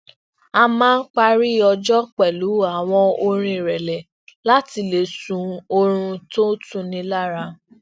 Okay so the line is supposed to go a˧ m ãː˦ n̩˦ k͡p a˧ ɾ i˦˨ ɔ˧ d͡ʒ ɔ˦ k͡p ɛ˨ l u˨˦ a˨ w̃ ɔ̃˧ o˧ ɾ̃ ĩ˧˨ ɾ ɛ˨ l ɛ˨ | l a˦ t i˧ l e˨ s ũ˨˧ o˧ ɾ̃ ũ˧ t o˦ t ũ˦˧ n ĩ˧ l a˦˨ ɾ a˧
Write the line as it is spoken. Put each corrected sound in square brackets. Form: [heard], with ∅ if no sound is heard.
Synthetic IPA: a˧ m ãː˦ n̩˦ k͡p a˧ ɾ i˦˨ ɔ˧ d͡ʒ ɔ˦ k͡p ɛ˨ l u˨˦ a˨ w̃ ɔ̃˧ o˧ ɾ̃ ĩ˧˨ ɾ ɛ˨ l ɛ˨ | l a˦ t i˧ l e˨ s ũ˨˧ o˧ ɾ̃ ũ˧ t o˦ t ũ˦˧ n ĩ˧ l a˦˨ ɾ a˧